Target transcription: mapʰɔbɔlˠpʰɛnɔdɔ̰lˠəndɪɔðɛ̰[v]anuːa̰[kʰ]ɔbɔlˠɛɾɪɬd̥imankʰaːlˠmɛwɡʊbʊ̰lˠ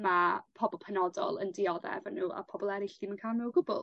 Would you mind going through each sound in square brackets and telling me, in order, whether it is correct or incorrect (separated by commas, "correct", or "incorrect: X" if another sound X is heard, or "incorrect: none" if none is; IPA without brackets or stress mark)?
correct, incorrect: pʰ